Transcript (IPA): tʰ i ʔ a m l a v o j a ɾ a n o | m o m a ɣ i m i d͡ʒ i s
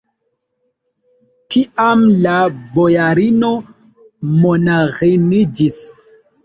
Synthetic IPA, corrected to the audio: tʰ i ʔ a m l a b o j a ɾ i n o | m o n a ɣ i n i d͡ʒ i s